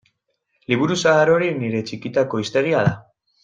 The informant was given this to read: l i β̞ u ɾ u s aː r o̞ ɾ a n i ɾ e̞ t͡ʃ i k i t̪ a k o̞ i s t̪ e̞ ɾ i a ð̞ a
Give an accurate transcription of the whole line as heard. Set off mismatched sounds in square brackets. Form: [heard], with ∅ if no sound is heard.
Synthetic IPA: l i β̞ u ɾ u s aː [ɾ] o̞ ɾ [i] n i ɾ e̞ t͡ʃ i k i t̪ a k o̞ i s t̪ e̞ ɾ i a ð̞ a